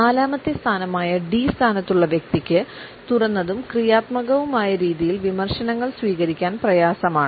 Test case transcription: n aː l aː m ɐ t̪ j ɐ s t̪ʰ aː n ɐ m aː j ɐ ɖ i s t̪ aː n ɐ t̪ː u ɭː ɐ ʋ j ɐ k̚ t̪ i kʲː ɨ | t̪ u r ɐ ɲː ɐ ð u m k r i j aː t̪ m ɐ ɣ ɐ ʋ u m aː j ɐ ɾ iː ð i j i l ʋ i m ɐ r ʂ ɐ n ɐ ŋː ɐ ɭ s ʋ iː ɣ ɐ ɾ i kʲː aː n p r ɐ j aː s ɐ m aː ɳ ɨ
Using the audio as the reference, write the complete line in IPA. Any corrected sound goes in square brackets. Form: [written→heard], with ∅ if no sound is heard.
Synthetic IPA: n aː l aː m ɐ t̪ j ɐ s t̪ʰ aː n ɐ m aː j ɐ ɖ i s [t̪→t̪ʰ] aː n ɐ t̪ː u ɭː ɐ ʋ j ɐ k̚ t̪ i kʲː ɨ | t̪ u r ɐ [ɲː→nː] ɐ ð u m k r i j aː t̪ m ɐ ɣ ɐ ʋ u m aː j ɐ ɾ iː ð i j i l ʋ i m ɐ r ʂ ɐ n ɐ ŋː ɐ ɭ s ʋ iː ɣ ɐ ɾ i kʲː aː n p r ɐ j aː s ɐ m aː ɳ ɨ